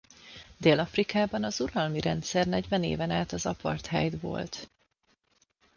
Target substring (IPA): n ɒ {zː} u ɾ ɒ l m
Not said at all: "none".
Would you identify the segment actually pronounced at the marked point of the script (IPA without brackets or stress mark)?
z